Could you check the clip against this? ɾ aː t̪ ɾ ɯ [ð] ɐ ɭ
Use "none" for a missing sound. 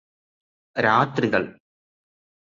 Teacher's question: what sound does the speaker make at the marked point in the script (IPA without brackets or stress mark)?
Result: ɣ